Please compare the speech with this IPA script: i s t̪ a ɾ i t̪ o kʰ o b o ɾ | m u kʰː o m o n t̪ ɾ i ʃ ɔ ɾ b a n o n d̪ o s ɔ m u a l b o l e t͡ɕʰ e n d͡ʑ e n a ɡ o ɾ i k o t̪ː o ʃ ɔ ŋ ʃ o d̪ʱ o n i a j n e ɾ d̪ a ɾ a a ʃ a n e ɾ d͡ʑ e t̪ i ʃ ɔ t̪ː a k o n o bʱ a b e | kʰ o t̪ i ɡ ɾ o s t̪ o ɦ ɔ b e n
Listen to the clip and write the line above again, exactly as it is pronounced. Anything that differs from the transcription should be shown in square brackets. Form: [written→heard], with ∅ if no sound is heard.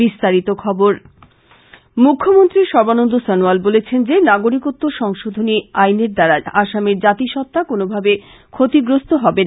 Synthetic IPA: i s t̪ a ɾ i t̪ o kʰ [o→ɔ] b o ɾ | m u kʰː o m o n t̪ ɾ i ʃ ɔ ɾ b a n o n d̪ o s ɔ [m→n] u a l b o l e t͡ɕʰ e n d͡ʑ e n a ɡ o ɾ i k o t̪ː o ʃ ɔ ŋ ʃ o d̪ʱ o n i a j n e ɾ d̪ a ɾ a a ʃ a [n→m] e ɾ d͡ʑ [e→a] t̪ i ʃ ɔ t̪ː a k o n o bʱ a b e | kʰ o t̪ i ɡ ɾ o s t̪ o ɦ ɔ b e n